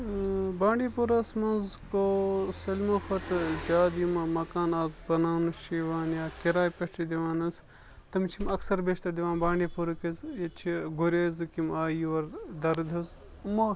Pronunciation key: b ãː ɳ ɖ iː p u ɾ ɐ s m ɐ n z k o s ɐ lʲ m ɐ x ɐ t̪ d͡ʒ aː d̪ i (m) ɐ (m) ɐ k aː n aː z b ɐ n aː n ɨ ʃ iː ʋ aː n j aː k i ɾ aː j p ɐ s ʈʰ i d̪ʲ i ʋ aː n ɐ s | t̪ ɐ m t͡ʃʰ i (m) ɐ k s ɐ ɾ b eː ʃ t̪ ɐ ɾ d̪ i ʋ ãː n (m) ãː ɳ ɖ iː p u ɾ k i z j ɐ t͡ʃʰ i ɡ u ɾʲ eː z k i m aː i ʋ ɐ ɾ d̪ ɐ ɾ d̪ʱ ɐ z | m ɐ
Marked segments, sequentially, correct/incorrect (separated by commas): correct, correct, correct, incorrect